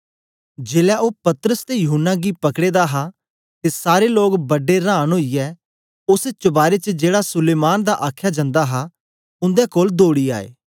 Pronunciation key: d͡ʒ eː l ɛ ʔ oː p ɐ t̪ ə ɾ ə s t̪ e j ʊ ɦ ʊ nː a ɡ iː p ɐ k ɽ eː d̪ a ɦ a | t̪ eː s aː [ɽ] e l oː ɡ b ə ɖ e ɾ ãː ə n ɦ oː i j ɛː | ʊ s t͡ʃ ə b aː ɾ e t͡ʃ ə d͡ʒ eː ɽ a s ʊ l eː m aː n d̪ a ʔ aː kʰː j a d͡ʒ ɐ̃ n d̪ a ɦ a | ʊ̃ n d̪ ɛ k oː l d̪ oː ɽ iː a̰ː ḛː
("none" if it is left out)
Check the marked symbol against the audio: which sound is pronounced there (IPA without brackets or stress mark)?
ɾ